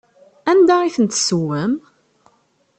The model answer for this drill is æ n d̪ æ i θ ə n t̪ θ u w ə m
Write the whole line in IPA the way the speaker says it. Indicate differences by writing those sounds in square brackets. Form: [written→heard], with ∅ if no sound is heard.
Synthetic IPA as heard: æ n d̪ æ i θ ə n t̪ [θ→s] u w ə m